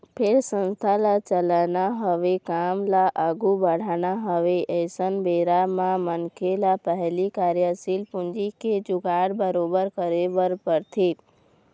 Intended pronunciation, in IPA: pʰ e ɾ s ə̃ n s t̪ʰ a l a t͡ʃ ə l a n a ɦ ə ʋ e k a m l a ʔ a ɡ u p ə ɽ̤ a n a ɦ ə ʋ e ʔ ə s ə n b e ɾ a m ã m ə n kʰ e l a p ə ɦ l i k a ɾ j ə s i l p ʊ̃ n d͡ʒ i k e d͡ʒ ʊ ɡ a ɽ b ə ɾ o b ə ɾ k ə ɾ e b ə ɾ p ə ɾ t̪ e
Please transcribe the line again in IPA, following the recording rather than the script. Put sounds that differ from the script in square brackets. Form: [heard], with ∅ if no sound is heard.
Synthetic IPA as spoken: pʰ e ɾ s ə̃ n s t̪ʰ a l a t͡ʃ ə l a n a ɦ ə ʋ e k a m l a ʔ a ɡ u [b] ə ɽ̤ a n a ɦ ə ʋ e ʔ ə s ə n b e ɾ a m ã m ə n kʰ e l a p ə ɦ l i k a ɾ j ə s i l p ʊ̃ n d͡ʒ i k e d͡ʒ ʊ ɡ a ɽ b ə ɾ o b ə ɾ k ə ɾ e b ə ɾ p ə ɾ [t̪ʰ] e